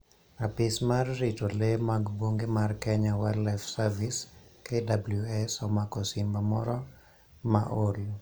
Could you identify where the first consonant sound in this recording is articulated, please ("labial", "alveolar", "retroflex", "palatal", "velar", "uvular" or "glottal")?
labial